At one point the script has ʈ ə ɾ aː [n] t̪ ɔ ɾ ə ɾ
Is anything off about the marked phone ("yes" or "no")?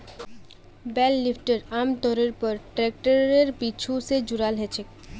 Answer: yes